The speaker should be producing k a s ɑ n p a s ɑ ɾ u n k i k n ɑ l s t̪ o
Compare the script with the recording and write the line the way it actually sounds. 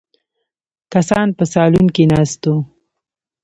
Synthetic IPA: k a s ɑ n p ə s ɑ l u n k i n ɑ s t̪ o